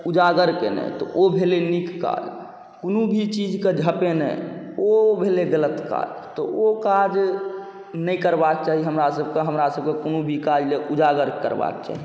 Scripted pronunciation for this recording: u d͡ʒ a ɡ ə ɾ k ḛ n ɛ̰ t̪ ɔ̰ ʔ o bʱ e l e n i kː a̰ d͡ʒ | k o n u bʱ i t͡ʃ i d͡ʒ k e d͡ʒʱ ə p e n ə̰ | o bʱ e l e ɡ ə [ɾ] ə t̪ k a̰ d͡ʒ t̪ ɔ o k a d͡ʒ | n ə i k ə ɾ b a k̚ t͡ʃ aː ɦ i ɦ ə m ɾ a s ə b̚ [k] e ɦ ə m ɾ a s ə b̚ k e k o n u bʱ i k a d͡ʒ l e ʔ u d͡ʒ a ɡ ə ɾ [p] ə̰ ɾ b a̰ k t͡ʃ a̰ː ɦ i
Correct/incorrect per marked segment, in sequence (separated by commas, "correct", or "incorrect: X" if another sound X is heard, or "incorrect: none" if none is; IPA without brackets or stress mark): incorrect: l, correct, incorrect: k